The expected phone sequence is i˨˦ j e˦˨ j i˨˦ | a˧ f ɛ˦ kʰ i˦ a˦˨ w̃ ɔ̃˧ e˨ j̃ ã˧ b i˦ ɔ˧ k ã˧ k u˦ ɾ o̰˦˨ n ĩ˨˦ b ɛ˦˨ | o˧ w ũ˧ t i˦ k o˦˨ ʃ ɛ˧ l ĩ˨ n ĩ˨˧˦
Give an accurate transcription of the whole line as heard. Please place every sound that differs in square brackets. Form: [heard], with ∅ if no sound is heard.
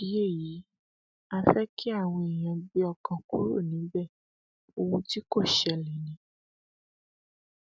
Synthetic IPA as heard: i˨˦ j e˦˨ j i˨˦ | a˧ f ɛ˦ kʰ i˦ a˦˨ w̃ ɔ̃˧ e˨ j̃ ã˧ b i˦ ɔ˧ k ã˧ k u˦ ɾ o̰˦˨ n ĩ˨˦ b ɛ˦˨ | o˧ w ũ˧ t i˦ k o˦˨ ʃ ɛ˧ l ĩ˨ n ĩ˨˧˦